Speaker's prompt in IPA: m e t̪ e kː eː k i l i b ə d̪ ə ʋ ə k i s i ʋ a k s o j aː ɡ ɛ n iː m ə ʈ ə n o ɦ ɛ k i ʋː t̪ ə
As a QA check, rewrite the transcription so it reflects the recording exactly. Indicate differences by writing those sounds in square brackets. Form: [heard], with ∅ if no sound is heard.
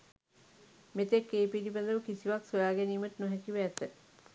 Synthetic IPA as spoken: m e t̪ e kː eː [p] i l i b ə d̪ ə ʋ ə k i s i ʋ a k s o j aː ɡ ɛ n iː m ə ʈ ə n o ɦ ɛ k i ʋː t̪ ə